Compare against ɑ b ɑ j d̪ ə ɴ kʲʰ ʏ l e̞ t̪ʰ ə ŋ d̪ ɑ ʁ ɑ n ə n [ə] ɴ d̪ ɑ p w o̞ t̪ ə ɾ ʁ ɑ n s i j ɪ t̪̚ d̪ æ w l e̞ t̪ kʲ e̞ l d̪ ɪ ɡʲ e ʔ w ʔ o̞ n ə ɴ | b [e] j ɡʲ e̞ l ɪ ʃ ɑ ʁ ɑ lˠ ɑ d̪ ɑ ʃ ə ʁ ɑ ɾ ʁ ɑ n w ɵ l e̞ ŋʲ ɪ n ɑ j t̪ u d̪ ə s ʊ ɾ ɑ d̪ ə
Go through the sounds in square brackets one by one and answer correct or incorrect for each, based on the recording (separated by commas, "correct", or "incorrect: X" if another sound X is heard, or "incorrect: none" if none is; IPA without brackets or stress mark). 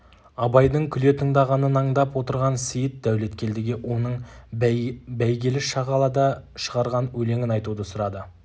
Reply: incorrect: ɑ, incorrect: æ